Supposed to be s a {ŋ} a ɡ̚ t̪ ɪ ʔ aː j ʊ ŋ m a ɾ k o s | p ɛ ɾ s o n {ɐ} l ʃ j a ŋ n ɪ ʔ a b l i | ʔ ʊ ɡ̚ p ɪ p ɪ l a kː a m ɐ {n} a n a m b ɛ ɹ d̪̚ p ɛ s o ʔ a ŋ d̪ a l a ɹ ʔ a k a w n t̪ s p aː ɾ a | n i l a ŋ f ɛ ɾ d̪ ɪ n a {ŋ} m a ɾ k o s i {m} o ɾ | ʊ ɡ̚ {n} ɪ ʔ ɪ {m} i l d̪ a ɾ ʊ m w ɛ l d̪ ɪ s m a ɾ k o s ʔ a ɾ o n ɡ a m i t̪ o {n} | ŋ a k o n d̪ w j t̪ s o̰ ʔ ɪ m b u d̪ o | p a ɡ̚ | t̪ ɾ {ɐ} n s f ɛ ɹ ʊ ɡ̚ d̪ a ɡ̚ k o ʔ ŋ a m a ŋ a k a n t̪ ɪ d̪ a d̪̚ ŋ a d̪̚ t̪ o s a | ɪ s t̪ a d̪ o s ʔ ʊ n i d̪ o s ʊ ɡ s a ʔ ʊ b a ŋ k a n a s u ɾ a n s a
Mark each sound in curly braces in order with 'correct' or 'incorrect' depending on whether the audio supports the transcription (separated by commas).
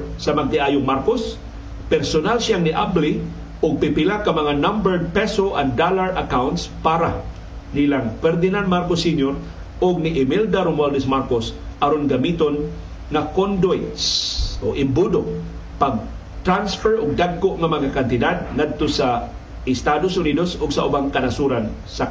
incorrect, incorrect, incorrect, incorrect, incorrect, correct, correct, correct, incorrect